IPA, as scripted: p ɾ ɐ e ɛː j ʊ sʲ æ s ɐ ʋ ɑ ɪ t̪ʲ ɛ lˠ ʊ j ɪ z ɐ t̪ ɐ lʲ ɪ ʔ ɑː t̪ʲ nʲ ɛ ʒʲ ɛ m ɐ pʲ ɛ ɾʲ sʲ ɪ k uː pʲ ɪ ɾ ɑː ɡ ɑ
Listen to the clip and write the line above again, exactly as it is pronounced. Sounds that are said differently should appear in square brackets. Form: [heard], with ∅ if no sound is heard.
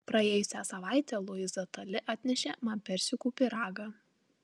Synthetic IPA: p ɾ ɐ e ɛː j ʊ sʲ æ s ɐ ʋ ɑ ɪ t̪ʲ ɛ lˠ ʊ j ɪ z ɐ t̪ ɐ lʲ ɪ ʔ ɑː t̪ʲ nʲ ɛ [ʃʲ] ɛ m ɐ pʲ ɛ ɾʲ sʲ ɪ k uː pʲ ɪ ɾ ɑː ɡ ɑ